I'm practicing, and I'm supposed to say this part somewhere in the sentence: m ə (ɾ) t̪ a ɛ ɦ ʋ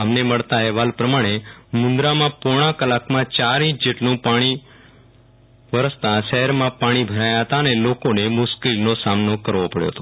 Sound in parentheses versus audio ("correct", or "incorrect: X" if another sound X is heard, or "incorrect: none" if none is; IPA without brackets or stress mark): incorrect: ɭ